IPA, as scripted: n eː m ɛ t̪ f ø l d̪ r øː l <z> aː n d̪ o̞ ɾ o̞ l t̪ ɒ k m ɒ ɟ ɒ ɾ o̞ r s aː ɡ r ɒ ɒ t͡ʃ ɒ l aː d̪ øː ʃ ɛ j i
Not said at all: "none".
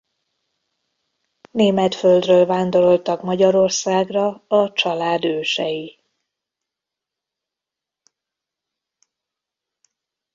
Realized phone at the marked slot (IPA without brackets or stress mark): v